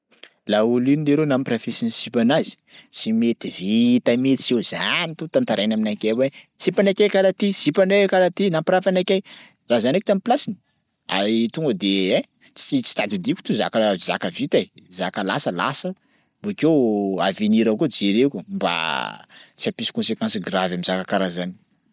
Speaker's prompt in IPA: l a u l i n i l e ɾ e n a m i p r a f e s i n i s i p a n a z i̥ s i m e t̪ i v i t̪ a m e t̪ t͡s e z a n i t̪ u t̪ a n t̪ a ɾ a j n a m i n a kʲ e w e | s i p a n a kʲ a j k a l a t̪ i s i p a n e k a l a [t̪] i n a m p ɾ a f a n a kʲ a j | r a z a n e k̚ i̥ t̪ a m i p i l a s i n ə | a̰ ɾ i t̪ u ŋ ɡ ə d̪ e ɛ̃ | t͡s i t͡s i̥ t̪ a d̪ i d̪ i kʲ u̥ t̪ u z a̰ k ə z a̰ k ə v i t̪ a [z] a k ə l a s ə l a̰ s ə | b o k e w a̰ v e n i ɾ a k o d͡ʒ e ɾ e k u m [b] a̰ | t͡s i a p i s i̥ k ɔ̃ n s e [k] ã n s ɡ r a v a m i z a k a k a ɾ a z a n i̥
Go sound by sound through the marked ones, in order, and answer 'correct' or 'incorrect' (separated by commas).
correct, correct, correct, correct